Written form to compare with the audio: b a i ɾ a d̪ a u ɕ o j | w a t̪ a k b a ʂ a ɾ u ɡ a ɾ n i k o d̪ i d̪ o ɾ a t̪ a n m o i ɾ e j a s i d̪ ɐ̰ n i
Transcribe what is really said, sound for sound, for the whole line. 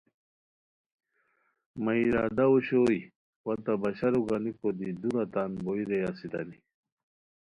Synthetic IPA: m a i ɾ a d̪ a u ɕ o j | w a t̪ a b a ɕ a ɾ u ɡ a n i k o d̪ i d̪ u ɾ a t̪ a n b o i ɾ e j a s i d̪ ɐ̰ n i